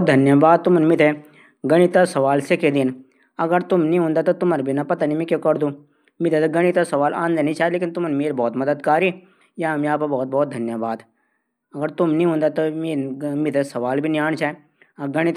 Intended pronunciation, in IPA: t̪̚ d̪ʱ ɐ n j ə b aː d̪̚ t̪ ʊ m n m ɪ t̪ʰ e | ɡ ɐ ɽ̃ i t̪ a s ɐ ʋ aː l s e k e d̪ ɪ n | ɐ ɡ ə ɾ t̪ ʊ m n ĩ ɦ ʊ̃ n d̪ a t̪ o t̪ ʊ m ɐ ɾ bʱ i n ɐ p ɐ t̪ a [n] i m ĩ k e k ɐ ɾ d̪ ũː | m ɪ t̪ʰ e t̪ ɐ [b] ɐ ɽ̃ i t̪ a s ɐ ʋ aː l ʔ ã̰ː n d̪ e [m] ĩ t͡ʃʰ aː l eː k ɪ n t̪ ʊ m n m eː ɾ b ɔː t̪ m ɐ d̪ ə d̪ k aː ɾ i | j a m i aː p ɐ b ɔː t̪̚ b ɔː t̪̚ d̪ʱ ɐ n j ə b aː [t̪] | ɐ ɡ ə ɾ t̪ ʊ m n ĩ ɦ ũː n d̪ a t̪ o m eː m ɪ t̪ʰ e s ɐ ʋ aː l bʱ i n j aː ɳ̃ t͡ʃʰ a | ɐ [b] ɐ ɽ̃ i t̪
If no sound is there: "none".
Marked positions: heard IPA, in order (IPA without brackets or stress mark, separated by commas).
n, ɡ, n, d̪, ɡ